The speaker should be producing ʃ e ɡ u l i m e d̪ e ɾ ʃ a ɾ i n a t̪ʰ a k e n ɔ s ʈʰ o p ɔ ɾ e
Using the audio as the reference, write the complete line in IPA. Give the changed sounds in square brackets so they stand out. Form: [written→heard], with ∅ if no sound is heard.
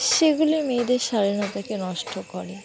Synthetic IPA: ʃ e ɡ u l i m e d̪ e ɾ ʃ a ɾ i n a [t̪ʰ→t̪] a k e n ɔ [s→ʃ] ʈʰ o [p→k] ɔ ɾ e